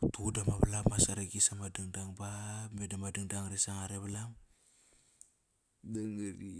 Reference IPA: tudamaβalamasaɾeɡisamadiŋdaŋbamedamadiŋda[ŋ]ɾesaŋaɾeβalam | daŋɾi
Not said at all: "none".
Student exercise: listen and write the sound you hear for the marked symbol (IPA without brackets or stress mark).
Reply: ŋ